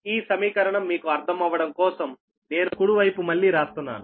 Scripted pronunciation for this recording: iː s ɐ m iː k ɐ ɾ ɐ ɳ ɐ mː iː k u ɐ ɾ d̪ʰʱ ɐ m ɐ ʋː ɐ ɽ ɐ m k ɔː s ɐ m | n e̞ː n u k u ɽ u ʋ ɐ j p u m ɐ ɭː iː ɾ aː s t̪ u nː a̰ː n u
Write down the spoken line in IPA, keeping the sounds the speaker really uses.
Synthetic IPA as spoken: iː s ɐ m iː k ɐ ɾ ɐ ɳ ɐ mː iː k u ɐ ɾ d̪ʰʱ ɐ m ɐ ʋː ɐ ɽ ɐ m k ɔː s ɐ m | n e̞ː n u k u ɽ u ʋ ɐ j p u m ɐ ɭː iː ɾ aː s t̪ u nː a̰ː n u